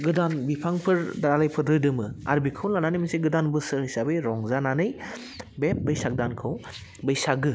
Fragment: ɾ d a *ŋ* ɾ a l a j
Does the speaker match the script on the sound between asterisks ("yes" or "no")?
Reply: no